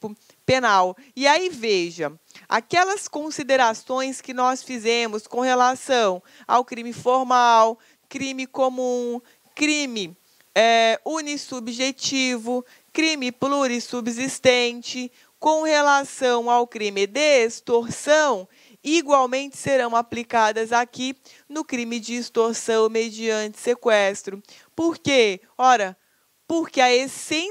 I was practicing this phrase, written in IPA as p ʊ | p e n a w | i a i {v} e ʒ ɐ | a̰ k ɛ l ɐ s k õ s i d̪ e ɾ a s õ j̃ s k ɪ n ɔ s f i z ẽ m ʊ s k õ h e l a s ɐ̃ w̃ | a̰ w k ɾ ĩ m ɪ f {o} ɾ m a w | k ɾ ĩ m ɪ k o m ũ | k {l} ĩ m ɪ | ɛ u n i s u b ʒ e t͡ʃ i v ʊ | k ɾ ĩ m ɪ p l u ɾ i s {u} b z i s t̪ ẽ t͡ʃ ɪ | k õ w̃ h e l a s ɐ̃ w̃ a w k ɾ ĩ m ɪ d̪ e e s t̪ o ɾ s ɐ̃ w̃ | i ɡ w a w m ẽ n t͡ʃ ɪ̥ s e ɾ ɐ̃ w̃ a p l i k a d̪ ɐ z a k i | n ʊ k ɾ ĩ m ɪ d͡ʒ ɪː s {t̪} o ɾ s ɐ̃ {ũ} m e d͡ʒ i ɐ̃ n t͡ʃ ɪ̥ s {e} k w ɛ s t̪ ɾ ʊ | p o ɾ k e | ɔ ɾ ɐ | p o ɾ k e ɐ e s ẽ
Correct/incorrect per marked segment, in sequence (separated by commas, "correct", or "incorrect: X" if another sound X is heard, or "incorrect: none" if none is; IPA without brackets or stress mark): correct, correct, incorrect: ɾ, correct, correct, incorrect: w̃, correct